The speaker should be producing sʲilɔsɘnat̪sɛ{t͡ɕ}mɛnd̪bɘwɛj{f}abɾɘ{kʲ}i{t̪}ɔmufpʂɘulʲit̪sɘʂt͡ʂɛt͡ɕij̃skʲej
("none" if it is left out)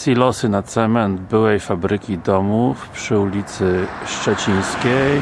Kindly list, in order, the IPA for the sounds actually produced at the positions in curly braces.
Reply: none, f, kʲ, d̪

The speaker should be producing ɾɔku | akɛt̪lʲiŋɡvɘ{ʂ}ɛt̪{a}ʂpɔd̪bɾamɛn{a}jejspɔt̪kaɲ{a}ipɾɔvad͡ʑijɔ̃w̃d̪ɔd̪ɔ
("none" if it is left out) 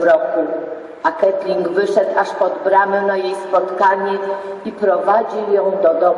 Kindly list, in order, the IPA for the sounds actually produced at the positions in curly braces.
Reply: ʂ, a, a, ɛ

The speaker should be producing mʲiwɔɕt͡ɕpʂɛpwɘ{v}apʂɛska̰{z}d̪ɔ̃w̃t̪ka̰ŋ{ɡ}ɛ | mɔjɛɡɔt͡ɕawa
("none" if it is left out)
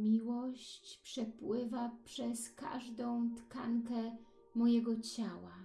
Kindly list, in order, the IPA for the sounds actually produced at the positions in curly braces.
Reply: v, ʐ, k

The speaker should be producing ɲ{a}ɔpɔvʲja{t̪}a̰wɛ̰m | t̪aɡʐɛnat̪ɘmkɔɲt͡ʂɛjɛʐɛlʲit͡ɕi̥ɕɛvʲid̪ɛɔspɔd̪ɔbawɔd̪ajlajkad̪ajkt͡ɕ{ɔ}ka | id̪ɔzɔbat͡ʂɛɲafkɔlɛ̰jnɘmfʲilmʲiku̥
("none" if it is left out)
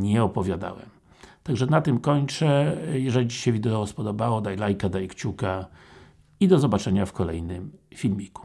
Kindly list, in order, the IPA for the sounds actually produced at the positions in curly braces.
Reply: ɛ, d̪, u

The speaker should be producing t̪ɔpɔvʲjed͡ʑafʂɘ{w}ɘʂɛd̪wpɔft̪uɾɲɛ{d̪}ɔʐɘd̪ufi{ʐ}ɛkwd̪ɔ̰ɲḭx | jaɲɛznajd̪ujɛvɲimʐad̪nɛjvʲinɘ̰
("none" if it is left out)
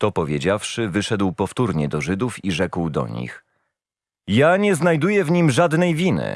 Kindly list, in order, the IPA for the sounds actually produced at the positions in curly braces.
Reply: v, d̪, ʐ

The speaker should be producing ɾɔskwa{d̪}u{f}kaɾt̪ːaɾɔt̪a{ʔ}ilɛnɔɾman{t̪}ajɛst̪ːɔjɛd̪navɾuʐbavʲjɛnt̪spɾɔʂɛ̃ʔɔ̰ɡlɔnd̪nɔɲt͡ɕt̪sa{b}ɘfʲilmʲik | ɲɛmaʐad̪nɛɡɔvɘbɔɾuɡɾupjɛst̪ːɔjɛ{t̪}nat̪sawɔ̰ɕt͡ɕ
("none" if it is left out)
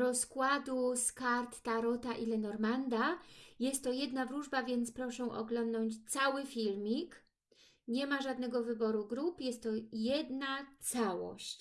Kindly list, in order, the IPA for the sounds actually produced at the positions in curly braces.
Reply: d̪, s, ʔ, d̪, w, d̪

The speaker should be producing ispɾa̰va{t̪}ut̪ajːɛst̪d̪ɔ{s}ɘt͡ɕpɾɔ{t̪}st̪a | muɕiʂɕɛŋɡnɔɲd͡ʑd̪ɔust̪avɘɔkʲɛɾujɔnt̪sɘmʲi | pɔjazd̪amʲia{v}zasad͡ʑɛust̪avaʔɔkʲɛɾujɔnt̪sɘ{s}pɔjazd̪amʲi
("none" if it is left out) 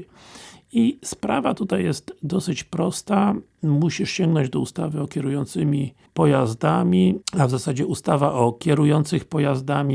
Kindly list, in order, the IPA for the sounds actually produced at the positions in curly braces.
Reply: t̪, s, none, v, x

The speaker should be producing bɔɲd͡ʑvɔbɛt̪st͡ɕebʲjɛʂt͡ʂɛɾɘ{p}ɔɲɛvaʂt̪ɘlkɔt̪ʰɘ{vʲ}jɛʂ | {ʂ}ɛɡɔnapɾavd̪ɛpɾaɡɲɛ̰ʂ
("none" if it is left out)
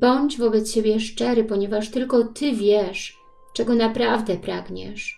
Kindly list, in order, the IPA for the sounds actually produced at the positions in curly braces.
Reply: p, vʲ, t͡ʂ

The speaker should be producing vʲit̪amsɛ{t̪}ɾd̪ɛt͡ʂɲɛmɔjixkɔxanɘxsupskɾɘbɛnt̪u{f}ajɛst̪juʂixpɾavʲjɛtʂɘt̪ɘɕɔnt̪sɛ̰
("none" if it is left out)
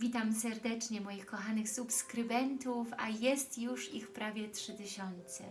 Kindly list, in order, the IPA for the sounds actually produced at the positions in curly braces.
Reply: none, f

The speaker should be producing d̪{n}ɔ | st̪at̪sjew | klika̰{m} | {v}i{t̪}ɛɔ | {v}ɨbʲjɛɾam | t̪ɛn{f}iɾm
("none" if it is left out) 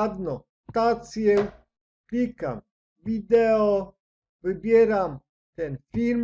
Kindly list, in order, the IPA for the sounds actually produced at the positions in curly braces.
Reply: n, m, v, d̪, v, f

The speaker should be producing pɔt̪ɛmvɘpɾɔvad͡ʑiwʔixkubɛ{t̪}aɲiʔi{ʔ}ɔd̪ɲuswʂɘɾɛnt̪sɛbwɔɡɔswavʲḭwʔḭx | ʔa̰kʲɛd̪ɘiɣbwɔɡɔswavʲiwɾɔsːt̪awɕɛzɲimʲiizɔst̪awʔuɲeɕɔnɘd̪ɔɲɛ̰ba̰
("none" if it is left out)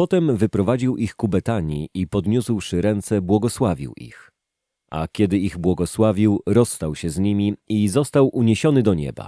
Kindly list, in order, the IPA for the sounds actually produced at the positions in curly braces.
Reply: t̪, p

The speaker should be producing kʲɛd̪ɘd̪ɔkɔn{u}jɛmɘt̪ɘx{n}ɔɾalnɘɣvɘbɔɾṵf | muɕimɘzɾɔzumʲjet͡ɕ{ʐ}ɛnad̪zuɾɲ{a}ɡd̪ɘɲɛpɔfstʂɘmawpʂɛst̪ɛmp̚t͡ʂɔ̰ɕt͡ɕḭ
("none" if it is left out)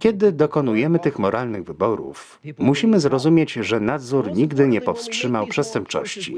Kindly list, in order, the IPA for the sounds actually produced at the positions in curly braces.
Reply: u, m, ʐ, i

